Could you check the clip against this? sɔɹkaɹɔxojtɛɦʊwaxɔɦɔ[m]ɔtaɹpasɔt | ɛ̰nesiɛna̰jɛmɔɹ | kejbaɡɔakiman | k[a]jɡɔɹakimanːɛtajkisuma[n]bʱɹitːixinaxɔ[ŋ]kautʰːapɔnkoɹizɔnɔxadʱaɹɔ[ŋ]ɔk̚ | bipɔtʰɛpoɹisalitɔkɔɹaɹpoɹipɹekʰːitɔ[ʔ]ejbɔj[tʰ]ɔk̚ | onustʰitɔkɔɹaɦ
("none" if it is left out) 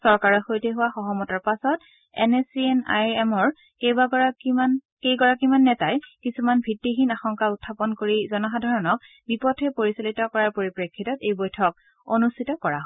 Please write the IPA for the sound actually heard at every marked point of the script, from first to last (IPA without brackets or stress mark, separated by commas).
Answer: m, e, n, ŋ, n, t, tʰ